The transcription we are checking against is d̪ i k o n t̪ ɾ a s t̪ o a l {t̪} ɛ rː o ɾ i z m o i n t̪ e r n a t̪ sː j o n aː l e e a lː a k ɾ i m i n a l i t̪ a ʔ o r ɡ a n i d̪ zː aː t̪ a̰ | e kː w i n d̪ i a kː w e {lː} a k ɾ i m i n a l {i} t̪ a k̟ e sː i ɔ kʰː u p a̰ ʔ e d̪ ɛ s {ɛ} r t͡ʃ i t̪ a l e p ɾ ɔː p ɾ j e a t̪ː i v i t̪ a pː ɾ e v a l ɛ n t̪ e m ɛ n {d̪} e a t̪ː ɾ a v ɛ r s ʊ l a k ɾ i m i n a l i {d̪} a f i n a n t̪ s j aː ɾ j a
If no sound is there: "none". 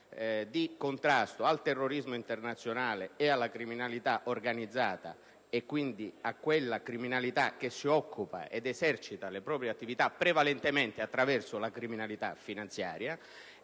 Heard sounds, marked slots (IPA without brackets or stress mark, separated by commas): t̪, lː, i, ɛ, t̪, t̪